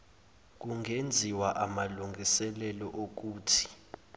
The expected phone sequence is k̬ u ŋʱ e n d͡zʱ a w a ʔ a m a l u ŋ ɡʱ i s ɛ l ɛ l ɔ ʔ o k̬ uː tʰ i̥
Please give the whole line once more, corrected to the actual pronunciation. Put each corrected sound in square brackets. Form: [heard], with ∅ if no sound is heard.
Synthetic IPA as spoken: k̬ u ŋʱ e n d͡zʱ [i] w a ʔ a m a l u ŋ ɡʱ i s ɛ l ɛ l ɔ ʔ o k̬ uː tʰ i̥